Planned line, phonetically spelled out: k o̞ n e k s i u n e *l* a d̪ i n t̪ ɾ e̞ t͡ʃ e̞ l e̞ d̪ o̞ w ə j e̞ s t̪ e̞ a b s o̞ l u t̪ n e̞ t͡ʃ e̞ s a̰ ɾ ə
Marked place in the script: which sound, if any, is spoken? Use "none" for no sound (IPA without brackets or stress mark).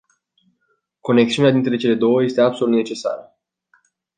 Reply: none